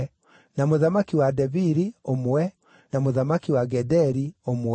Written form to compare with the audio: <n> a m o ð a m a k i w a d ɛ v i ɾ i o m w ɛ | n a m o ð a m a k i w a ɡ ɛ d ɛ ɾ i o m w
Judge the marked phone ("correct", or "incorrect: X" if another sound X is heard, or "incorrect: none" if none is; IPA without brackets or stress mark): correct